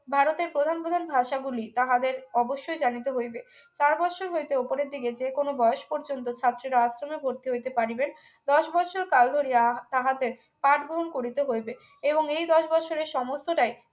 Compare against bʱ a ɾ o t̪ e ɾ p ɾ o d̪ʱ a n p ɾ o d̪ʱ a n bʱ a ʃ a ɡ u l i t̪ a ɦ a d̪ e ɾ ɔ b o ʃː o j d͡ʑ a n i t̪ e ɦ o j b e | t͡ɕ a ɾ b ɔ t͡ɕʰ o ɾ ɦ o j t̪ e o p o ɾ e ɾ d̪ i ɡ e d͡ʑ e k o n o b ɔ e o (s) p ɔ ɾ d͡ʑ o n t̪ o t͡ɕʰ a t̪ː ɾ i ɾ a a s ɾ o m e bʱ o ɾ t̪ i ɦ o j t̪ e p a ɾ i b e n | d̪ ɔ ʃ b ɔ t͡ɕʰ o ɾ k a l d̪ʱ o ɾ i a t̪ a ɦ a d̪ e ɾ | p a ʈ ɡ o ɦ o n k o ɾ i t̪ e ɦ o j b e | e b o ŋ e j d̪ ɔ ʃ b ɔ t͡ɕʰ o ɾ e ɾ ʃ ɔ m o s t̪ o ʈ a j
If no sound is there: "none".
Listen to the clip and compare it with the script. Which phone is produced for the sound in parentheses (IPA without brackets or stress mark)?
ʃ